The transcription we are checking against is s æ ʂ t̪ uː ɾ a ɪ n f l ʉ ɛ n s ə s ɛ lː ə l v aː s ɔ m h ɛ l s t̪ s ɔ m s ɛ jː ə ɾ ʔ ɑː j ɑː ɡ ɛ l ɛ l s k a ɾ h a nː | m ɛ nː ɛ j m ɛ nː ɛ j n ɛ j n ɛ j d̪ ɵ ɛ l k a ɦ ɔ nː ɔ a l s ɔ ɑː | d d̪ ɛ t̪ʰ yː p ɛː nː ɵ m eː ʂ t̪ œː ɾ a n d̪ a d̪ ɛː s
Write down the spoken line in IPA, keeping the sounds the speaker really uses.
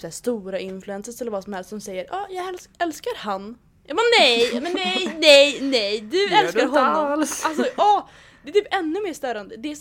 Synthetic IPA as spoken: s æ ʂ t̪ uː ɾ a ɪ n f l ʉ ɛ n s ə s ɛ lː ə ɾ v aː s ɔ m h ɛ l s t̪ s ɔ m s ɛ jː ə ɾ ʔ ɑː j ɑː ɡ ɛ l ɛ l s k a ɾ h a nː | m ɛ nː ɛ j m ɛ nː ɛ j n ɛ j n ɛ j d̪ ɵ ɛ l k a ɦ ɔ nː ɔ a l s ɔ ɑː | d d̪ ɛ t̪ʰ yː p ɛ nː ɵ m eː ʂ t̪ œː ɾ a n d̪ ə d̪ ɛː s